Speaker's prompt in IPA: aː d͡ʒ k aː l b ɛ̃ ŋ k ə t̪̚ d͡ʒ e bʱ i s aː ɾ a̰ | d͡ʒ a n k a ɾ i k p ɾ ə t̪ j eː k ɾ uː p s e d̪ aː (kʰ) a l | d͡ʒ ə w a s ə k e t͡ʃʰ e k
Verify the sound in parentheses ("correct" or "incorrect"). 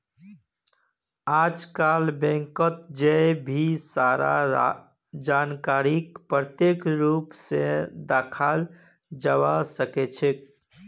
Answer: correct